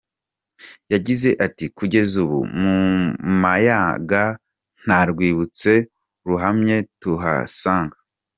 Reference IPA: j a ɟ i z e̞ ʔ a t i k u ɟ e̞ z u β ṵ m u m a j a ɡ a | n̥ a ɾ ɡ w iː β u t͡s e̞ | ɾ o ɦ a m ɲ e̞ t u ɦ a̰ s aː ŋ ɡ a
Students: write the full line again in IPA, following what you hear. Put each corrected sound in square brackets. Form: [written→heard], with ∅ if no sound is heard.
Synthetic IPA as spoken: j a ɟ i z e̞ ʔ a t i k u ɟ e̞ z u β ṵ m u m a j a ɡ a | n̥ a ɾ ɡ w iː β u t͡s e̞ | ɾ [o→u] ɦ a m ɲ e̞ t u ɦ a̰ s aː ŋ ɡ a